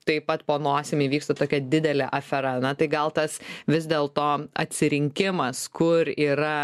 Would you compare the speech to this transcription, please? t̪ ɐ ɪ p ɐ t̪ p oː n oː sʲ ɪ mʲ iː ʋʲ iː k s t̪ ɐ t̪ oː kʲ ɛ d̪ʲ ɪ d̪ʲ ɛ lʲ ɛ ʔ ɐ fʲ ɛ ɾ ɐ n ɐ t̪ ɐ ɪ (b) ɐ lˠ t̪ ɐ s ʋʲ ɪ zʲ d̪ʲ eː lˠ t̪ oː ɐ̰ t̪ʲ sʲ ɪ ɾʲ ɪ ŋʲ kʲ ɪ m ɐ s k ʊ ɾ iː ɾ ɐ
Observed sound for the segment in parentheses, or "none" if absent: ɡ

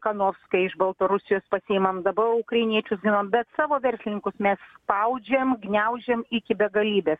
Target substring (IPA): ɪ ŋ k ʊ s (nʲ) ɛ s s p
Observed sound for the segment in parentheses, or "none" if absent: mʲ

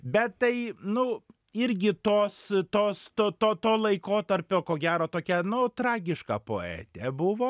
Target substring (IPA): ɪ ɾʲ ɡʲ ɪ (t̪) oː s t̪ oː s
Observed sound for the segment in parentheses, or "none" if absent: t̪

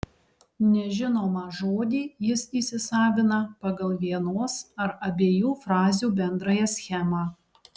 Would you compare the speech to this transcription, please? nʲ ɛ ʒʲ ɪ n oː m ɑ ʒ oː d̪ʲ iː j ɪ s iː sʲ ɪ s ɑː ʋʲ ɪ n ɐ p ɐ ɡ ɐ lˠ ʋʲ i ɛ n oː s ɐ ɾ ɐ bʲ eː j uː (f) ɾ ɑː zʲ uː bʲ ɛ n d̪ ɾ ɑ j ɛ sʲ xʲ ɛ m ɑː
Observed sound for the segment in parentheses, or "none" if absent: f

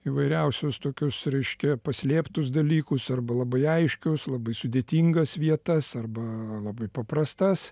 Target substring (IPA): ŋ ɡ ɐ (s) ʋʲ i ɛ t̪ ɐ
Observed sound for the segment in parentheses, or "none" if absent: s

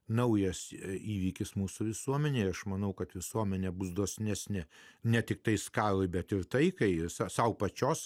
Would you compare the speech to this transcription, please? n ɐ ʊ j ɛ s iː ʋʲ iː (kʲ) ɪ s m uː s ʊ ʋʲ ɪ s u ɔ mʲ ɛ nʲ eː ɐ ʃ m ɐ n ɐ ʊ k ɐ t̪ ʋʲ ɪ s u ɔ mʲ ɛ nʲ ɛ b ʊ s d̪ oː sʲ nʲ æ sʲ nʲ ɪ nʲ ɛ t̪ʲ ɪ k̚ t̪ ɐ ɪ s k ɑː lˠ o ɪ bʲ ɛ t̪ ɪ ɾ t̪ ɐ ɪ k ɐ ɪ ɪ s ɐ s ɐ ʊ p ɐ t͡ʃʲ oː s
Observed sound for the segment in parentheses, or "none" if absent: kʲ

